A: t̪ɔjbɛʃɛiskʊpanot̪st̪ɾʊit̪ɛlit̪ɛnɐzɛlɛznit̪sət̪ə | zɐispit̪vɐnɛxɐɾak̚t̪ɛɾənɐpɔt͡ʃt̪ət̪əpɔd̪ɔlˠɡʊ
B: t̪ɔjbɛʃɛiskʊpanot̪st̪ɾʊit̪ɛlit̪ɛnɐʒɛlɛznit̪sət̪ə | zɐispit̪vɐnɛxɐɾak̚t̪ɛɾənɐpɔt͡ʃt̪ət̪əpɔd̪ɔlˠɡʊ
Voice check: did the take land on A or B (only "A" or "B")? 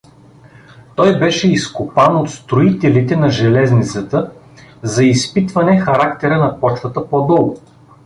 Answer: B